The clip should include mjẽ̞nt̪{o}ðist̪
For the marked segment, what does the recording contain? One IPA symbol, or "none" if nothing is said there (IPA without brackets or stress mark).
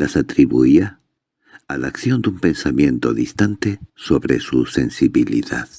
o